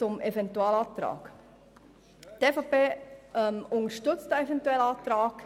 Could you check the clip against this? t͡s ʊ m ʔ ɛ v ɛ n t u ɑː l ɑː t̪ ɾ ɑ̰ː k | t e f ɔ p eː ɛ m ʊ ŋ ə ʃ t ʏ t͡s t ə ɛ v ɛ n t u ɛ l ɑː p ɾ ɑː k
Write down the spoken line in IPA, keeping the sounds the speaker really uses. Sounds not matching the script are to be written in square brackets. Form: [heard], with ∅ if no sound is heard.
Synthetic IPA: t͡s ʊ m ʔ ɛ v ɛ n t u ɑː l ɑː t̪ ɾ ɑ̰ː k | t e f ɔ p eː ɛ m ʊ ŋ ə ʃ t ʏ t͡s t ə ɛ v ɛ n t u ɛ l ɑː [t] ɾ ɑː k